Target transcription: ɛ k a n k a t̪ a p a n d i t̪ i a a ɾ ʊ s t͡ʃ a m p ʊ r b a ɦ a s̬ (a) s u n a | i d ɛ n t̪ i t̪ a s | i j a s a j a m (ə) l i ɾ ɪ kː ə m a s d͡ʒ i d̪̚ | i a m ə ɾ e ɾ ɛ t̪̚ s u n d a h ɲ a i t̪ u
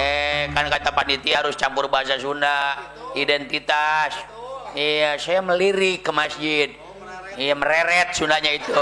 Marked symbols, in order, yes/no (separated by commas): yes, yes